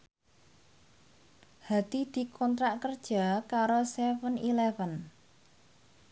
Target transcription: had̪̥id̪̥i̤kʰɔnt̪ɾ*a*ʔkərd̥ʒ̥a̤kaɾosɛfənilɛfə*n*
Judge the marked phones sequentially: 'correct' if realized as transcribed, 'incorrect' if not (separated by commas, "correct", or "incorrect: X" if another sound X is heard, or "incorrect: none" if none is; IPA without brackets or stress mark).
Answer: correct, correct